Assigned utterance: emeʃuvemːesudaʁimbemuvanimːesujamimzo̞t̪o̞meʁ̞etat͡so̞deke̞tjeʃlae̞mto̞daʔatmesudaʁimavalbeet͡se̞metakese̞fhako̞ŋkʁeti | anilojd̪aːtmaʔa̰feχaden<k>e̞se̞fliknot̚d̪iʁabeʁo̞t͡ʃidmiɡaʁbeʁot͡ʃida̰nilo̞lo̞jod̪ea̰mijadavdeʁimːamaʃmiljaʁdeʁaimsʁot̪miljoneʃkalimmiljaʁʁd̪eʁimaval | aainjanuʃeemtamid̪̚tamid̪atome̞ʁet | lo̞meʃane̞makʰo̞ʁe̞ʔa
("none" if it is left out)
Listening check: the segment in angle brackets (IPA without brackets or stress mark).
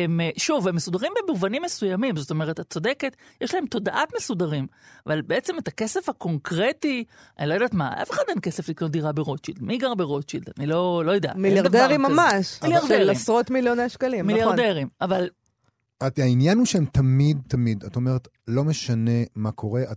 k